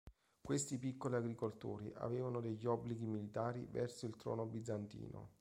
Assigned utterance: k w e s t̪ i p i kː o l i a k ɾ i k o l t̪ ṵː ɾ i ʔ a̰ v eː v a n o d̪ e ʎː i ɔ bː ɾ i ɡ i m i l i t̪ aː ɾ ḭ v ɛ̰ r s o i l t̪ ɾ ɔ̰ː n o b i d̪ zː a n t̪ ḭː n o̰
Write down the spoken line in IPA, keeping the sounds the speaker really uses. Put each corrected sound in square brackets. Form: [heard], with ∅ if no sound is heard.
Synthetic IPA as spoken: k w e s t̪ i p i kː o l i a [ɡ] ɾ i k o l t̪ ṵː ɾ i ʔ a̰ v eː v a n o d̪ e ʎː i ɔ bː [l] i ɡ i m i l i t̪ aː ɾ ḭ v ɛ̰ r s o i l t̪ ɾ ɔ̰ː n o b i d̪ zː a n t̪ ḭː n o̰